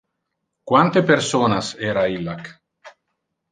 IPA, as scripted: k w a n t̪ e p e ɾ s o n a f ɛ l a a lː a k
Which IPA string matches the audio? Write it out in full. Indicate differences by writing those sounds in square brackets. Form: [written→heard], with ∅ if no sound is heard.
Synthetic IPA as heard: k w a n t̪ e p e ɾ s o n a [f→s] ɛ [l→ɾ] a [a→i] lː a k